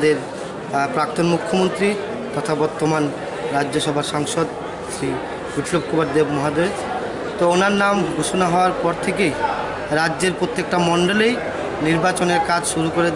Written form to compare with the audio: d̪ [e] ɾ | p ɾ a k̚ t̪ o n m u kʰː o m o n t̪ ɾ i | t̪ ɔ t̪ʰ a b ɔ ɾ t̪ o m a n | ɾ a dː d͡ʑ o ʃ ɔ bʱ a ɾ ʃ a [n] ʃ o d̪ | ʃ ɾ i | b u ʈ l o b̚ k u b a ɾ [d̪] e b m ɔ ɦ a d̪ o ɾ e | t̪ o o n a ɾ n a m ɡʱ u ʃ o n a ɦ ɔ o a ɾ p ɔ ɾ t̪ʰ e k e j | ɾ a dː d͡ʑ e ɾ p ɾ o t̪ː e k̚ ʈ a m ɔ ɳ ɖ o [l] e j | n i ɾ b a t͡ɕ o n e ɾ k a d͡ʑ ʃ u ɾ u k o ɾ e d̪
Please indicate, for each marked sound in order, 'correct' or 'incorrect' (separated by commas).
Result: correct, incorrect, correct, correct